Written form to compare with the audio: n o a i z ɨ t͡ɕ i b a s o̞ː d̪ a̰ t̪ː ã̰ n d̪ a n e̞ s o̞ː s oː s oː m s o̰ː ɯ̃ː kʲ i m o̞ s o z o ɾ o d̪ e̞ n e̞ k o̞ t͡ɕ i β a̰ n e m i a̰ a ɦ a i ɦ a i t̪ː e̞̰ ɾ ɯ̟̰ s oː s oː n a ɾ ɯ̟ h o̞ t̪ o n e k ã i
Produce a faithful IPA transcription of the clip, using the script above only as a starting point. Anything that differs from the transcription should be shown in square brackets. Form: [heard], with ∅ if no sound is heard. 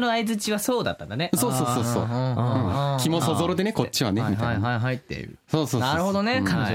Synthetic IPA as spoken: n o a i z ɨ t͡ɕ i [β] a s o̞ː d̪ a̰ t̪ː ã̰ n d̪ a n e̞ s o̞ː s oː s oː [∅] s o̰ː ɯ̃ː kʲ i m o̞ s o z o ɾ o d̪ e̞ n e̞ k o̞ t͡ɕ i β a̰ n e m i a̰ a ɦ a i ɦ a i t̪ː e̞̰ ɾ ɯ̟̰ s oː s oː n a ɾ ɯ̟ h o̞ [d̪] o n e k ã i